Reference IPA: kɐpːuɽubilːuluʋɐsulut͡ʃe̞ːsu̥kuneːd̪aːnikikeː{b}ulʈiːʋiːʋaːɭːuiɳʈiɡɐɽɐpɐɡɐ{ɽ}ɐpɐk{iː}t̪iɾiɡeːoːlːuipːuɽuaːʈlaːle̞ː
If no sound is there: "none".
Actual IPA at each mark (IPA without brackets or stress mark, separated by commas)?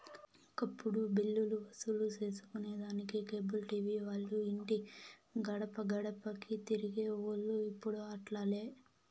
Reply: b, ɽ, i